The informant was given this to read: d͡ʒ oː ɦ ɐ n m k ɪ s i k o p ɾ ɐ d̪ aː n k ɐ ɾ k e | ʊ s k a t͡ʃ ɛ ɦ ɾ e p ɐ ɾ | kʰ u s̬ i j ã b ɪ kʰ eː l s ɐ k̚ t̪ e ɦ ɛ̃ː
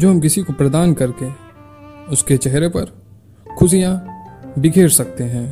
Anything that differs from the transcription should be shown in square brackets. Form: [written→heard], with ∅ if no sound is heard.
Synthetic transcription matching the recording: d͡ʒ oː ɦ ɐ [n→∅] m k ɪ s i k o p ɾ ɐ d̪ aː n k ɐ ɾ k e | ʊ s k [a→e] t͡ʃ ɛ ɦ ɾ e p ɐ ɾ | kʰ [u→ʊ] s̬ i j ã b ɪ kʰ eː [l→ɾ] s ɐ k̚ t̪ e ɦ ɛ̃ː